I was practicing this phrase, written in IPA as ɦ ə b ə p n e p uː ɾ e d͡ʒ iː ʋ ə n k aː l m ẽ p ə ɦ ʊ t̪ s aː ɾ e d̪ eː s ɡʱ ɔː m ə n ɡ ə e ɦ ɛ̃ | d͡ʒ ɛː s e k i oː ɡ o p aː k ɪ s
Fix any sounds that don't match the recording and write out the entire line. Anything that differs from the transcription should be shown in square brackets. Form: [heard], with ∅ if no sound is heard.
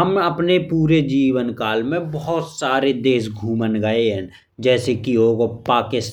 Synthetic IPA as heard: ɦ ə [m] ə p n e p uː ɾ e d͡ʒ iː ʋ ə n k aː l m ẽ [b] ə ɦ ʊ t̪ s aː ɾ e d̪ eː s ɡʱ [uː] m ə n ɡ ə e ɦ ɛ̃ | d͡ʒ ɛː s e k i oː ɡ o p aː k ɪ s